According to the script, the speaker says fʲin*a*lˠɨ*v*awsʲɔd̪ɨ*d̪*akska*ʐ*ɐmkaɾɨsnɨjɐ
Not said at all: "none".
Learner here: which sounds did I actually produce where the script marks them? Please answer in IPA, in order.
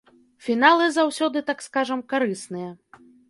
a, z, t̪, ʐ

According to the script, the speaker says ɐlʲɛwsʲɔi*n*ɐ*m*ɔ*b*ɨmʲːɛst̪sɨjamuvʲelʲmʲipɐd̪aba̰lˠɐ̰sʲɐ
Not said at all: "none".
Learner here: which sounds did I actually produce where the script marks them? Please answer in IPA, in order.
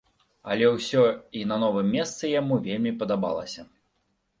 n, n, v

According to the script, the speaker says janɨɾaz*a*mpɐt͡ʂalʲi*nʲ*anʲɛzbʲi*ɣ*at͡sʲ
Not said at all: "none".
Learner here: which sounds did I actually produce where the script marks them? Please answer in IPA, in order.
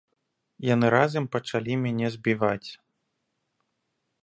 ɐ, mʲ, v

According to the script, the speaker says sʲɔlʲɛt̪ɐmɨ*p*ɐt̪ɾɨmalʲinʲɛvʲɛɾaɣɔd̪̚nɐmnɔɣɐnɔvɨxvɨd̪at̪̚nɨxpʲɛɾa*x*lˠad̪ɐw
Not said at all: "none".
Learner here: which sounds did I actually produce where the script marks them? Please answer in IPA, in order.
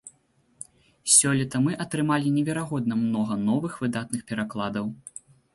ʔ, k

